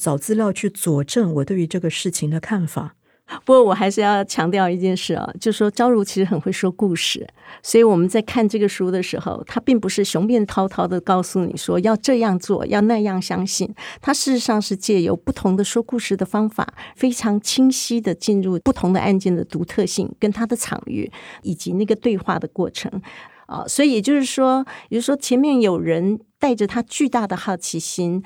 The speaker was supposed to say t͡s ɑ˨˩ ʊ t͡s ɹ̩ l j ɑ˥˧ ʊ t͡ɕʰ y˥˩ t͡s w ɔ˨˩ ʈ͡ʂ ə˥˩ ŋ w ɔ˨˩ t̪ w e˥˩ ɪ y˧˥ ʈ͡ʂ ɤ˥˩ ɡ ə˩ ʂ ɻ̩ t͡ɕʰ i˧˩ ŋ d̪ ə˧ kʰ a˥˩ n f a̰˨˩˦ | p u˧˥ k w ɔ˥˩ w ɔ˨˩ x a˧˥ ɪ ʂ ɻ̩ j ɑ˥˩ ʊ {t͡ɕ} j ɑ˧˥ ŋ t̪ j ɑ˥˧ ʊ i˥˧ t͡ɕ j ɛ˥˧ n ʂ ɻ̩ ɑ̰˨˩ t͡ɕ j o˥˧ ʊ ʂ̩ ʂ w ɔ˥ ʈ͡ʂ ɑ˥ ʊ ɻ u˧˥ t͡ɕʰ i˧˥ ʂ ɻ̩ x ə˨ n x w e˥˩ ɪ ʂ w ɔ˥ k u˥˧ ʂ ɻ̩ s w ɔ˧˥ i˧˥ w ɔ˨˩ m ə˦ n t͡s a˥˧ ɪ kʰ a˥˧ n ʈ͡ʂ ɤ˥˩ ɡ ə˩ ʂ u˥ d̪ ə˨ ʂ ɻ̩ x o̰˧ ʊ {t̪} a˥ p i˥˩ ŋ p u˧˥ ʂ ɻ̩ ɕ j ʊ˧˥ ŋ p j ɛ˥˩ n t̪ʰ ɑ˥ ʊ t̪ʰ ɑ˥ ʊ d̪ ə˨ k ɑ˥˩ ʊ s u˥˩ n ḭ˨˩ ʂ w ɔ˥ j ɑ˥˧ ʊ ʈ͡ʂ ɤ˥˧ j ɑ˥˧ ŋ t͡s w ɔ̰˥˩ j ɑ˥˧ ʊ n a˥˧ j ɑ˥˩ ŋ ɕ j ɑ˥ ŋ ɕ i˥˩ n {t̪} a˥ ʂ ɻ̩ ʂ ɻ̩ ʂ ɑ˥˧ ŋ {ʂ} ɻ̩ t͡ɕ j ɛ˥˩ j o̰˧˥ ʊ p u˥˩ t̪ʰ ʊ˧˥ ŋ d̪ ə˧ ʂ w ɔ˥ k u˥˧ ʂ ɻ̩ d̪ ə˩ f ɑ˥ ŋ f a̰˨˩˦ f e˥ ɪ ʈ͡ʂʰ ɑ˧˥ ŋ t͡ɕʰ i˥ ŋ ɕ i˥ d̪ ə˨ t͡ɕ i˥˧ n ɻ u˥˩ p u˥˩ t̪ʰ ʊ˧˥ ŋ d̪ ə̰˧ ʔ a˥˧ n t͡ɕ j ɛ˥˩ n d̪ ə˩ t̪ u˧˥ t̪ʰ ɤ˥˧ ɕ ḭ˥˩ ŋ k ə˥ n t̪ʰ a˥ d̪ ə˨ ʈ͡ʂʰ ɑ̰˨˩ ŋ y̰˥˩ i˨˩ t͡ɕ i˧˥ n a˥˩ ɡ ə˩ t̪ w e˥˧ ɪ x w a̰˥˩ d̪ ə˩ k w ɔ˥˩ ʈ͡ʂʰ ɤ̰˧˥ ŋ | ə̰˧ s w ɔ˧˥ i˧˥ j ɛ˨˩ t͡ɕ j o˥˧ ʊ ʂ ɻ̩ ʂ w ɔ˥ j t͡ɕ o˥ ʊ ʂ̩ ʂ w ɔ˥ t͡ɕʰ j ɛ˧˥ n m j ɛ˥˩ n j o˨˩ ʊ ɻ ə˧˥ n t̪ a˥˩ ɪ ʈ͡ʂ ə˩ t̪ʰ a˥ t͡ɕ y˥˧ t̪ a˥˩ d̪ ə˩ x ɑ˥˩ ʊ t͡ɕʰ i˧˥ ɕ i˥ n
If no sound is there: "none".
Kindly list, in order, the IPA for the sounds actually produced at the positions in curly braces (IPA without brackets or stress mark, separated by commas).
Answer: t͡ɕʰ, t̪ʰ, t̪ʰ, ʂ